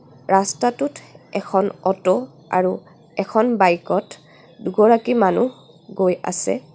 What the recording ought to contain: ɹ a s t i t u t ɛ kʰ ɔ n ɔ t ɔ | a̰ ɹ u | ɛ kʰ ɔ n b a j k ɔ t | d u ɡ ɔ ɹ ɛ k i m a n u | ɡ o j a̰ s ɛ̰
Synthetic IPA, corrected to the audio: ɹ a s t a t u t ɛ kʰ ɔ n ɔ t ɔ | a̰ ɹ u | ɛ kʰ ɔ n b a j k ɔ t | d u ɡ ɔ ɹ a k i m a n u | ɡ o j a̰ s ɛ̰